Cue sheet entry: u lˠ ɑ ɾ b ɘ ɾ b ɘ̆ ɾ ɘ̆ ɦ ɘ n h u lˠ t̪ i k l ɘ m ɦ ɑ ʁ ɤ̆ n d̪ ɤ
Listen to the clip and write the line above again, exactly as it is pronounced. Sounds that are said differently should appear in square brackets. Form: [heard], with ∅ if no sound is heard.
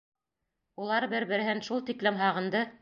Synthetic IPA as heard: u lˠ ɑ ɾ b ɘ ɾ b ɘ̆ ɾ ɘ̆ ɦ ɘ n [ʃ] u lˠ t̪ i k l ɘ m ɦ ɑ ʁ ɤ̆ n d̪ ɤ